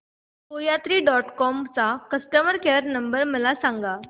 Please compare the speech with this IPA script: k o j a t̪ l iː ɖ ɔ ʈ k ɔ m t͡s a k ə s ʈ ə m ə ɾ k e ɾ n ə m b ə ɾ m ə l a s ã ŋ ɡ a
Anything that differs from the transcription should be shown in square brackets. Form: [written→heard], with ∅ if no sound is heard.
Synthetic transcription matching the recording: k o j a t̪ [l→ɾ] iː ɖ ɔ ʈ k ɔ m t͡s a k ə s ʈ ə m ə ɾ k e ɾ n ə m b ə ɾ m ə l a s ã ŋ ɡ a